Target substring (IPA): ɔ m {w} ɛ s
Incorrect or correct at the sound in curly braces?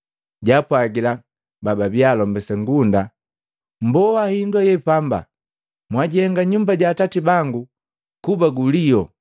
incorrect: b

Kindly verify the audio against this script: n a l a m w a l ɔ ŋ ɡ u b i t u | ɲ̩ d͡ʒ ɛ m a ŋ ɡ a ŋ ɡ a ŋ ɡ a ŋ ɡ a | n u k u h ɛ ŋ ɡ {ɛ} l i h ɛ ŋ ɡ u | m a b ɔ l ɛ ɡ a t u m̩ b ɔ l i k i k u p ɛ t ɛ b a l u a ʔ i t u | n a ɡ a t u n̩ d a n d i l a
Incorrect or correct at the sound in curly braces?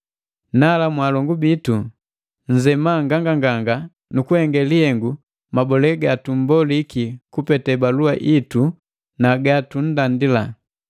correct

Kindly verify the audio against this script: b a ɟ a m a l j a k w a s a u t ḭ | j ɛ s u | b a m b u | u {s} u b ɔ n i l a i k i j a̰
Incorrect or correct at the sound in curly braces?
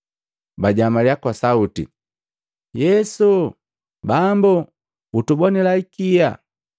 incorrect: t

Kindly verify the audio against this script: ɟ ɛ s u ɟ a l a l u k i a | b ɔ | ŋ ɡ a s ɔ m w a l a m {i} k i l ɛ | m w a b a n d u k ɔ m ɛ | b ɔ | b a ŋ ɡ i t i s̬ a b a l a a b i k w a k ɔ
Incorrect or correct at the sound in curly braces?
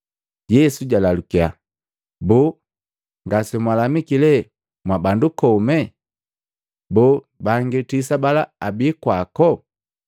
correct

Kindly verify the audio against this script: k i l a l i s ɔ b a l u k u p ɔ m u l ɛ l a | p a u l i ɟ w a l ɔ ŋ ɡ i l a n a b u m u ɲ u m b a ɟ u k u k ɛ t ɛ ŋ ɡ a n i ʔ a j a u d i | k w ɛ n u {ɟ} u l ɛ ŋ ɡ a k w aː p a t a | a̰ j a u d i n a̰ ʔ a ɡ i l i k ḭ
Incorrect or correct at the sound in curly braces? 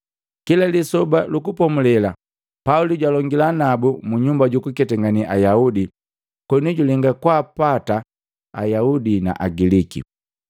correct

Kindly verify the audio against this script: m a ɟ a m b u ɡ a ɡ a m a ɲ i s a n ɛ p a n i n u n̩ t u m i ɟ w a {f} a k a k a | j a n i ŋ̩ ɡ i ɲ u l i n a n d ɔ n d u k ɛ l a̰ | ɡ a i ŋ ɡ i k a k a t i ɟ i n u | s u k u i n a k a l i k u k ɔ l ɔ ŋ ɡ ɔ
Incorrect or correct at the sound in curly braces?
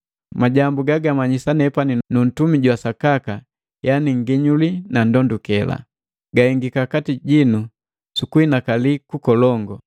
incorrect: s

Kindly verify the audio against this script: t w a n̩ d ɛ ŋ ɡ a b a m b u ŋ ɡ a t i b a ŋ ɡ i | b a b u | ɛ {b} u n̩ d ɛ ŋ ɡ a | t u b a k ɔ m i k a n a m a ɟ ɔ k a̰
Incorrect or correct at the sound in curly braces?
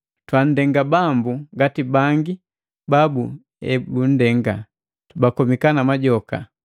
correct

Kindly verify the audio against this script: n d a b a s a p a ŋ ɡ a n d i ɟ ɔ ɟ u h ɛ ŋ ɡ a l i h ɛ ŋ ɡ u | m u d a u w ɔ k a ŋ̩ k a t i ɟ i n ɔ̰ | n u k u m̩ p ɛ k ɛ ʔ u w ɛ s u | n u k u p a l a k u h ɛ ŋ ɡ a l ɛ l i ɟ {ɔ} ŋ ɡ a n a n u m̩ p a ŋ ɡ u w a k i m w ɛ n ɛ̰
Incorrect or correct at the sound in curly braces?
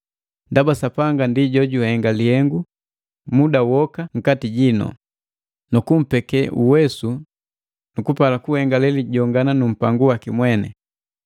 correct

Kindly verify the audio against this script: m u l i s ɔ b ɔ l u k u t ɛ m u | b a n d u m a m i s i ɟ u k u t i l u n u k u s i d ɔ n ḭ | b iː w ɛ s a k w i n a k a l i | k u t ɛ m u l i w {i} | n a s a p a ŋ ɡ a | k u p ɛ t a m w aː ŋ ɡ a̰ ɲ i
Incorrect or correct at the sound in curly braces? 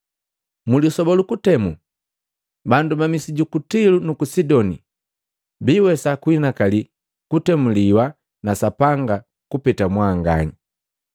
incorrect: a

